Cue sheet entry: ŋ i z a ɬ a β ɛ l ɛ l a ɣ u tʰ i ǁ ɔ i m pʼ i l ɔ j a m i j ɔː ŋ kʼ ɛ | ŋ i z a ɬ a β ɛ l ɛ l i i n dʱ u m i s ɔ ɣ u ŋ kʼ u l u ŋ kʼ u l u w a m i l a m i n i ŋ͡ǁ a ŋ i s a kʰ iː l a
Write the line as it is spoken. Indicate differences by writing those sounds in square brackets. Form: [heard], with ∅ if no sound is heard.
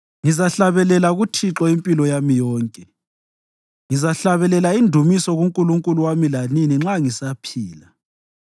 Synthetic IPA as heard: ŋ i z a ɬ a β ɛ l ɛ l a ɣ u tʰ i ǁ ɔ i m pʼ i l ɔ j a m i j ɔː ŋ kʼ ɛ | ŋ i z a ɬ a β ɛ l ɛ l [a] i n dʱ u m i s ɔ ɣ u ŋ kʼ u l u ŋ kʼ u l u w a m i l a [n] i n i ŋ͡ǁ a ŋ i s a [pʰ] iː l a